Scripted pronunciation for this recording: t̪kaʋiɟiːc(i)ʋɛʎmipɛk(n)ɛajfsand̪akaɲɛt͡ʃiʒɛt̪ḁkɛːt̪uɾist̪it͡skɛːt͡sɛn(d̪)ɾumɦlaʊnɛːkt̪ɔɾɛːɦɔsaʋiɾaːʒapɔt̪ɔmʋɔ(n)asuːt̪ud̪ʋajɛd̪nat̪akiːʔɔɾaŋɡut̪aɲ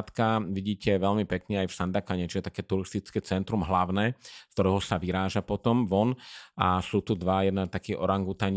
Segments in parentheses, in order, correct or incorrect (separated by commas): incorrect, incorrect, incorrect, correct